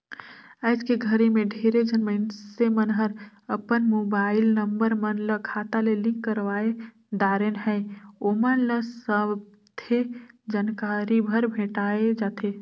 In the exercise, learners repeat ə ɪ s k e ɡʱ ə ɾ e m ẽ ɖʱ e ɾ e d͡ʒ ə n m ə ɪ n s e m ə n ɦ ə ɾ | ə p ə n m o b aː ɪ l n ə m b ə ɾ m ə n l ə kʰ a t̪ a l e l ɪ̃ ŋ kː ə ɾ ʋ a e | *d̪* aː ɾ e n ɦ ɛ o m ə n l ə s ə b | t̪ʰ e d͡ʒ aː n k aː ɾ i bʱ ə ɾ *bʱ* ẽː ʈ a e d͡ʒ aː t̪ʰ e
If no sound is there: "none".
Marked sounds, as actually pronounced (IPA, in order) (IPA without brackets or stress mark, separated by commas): d̪, bʱ